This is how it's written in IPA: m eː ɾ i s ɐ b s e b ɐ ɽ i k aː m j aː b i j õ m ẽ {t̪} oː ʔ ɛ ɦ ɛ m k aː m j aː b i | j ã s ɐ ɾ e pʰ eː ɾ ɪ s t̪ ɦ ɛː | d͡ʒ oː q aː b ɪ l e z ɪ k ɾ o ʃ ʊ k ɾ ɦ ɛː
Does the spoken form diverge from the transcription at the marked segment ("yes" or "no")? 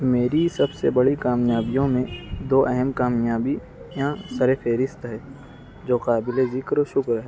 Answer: yes